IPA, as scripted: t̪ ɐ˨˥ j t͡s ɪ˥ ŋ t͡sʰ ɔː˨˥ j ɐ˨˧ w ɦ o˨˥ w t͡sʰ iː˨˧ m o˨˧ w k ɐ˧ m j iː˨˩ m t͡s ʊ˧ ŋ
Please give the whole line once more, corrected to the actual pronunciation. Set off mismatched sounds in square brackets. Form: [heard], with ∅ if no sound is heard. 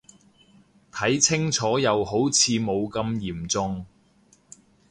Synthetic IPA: [t̪ʰ] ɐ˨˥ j [t͡sʰ] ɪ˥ ŋ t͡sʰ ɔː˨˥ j ɐ˨˧ w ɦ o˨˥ w t͡sʰ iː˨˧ m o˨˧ w k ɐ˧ m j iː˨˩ m t͡s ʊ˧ ŋ